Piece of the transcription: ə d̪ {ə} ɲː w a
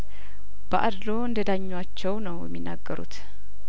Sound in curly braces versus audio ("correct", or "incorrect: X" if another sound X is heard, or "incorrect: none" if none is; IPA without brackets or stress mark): incorrect: a